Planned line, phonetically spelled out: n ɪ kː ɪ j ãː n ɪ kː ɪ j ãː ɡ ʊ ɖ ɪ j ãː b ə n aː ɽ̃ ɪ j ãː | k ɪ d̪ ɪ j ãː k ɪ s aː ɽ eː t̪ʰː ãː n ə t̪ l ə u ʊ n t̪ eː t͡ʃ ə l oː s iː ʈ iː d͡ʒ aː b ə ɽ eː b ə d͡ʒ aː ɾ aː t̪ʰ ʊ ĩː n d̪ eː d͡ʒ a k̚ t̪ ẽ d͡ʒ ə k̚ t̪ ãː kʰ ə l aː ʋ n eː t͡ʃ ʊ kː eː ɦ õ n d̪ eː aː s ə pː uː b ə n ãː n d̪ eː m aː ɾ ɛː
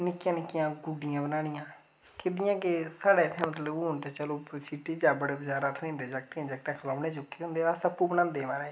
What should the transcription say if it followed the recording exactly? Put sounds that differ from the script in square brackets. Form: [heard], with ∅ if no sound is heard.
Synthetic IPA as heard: n ɪ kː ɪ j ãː n ɪ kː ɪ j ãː ɡ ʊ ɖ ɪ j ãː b ə n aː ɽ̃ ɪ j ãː | k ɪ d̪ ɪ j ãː k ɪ s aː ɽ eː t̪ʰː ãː [m] ə t̪ l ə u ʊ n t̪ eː t͡ʃ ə l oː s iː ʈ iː d͡ʒ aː b ə ɽ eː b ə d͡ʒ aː ɾ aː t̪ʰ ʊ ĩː n d̪ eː d͡ʒ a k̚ t̪ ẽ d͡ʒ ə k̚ t̪ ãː kʰ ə l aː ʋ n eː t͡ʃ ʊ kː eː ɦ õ n d̪ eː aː s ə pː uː b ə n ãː n d̪ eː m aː ɾ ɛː